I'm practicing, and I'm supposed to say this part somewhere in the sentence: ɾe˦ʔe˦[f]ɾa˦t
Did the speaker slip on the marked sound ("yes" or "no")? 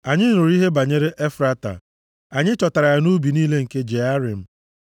no